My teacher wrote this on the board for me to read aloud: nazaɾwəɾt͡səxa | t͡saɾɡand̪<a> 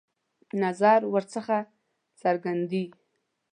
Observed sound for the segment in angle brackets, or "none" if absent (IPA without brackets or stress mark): i